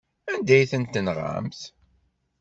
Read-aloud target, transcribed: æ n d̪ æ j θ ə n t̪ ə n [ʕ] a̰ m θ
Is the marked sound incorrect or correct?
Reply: incorrect